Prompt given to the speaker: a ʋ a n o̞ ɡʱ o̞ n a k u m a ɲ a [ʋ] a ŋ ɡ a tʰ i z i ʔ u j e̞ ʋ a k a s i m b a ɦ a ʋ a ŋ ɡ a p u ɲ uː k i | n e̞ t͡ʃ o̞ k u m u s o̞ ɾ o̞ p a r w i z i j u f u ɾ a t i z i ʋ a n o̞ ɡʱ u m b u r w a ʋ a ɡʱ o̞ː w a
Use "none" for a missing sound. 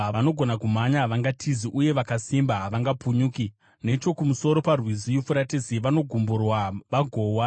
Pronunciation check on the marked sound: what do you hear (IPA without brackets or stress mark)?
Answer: ʋ